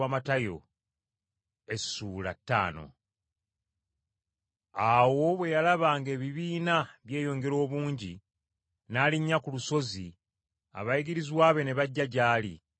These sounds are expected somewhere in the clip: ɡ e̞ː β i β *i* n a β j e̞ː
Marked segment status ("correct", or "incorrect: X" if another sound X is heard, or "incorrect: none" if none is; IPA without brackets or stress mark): incorrect: iː